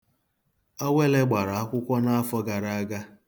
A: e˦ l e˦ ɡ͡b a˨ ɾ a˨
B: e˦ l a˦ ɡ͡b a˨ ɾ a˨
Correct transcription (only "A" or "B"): A